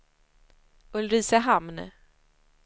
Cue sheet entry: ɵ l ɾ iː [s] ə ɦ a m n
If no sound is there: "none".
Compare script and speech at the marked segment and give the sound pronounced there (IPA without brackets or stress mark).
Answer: s